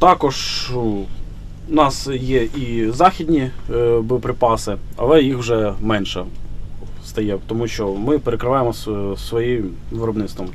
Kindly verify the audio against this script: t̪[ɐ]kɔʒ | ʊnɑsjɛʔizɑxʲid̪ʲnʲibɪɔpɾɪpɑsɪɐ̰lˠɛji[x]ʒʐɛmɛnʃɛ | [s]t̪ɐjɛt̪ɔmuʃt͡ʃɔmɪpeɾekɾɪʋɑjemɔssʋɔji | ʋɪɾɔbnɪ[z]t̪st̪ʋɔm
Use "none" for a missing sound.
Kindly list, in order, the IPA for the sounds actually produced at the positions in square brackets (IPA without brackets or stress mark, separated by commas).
ɑ, x, s, none